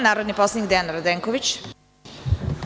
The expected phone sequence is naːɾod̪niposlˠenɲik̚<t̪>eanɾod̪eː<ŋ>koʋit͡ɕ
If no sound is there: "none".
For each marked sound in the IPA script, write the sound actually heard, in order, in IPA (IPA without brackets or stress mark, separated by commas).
d̪, ŋ